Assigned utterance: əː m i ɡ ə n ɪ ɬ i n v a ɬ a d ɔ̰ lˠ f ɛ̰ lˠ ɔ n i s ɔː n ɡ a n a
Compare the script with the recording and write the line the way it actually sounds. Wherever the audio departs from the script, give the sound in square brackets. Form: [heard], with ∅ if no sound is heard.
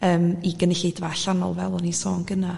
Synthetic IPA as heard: əː m i ɡ ə n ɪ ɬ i [d] v a ɬ a [n] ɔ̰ lˠ [v] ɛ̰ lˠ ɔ n i s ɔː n ɡ [ə] n a